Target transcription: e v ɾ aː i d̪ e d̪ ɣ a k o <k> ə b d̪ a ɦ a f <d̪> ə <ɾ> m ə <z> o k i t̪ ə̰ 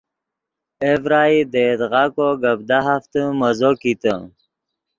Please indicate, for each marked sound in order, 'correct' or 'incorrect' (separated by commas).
incorrect, incorrect, incorrect, correct